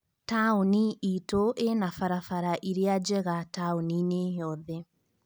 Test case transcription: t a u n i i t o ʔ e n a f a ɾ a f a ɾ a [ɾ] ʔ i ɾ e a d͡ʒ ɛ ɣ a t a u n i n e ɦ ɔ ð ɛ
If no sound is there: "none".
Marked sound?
none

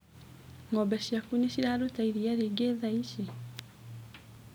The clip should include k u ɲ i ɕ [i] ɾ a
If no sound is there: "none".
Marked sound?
i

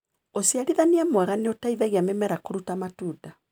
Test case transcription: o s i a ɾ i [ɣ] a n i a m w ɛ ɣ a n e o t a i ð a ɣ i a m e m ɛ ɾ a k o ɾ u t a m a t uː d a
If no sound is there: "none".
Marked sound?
ð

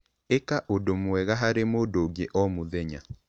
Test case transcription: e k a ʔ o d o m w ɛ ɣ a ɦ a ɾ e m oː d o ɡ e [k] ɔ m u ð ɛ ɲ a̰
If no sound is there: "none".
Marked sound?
ʔ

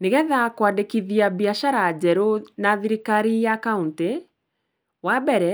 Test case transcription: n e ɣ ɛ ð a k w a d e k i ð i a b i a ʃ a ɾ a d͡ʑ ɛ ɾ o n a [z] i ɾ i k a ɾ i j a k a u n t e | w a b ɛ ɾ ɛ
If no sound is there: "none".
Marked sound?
ð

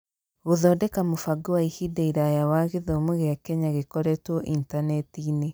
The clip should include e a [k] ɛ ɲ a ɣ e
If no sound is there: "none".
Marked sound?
k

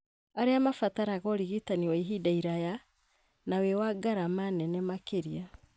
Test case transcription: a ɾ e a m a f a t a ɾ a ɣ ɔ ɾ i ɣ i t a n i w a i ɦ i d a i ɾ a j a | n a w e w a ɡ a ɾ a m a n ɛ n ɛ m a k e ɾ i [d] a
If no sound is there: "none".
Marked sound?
none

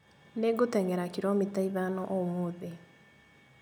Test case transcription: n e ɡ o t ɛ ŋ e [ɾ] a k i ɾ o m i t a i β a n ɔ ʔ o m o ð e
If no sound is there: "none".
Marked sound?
ɾ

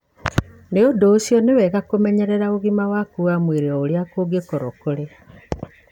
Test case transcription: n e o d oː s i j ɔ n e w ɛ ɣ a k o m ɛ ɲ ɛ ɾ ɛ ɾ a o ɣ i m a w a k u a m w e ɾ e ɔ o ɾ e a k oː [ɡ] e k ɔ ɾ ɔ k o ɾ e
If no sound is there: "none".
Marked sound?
ɡ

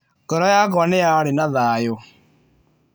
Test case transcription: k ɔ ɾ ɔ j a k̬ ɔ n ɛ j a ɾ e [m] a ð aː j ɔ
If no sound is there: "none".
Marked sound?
n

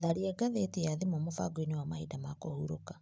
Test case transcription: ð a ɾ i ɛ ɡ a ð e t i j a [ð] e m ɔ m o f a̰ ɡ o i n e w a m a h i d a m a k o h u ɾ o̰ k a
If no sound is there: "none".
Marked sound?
ð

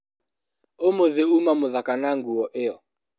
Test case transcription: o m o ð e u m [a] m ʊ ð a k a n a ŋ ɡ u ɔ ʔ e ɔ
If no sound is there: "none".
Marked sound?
a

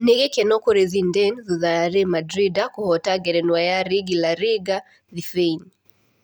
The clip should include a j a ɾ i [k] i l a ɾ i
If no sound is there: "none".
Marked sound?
ɡ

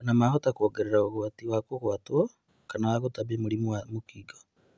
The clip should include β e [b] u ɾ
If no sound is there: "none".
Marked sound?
m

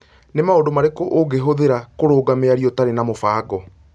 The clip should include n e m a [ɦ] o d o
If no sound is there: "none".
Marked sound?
none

